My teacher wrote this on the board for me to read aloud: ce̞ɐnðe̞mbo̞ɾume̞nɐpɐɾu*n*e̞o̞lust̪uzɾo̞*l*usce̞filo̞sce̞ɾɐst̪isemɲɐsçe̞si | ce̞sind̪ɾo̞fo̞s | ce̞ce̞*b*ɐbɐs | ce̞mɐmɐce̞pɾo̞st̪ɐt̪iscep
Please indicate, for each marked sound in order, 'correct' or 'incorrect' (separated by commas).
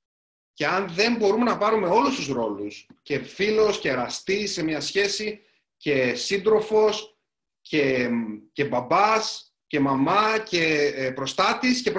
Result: incorrect, correct, correct